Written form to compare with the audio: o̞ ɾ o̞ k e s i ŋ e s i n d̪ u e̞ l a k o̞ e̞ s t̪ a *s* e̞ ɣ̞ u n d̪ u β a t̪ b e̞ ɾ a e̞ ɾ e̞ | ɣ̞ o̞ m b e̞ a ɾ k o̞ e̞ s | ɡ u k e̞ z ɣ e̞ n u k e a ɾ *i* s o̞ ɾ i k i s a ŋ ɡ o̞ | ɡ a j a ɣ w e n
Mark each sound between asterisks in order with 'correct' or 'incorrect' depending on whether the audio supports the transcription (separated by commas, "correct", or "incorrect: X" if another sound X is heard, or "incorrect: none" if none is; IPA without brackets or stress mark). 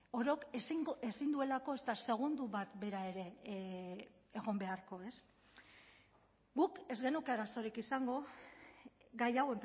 correct, incorrect: a